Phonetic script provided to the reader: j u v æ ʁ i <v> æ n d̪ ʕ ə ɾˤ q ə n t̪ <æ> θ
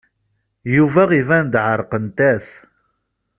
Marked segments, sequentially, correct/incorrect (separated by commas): correct, correct